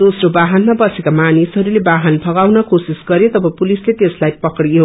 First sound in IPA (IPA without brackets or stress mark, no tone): d̪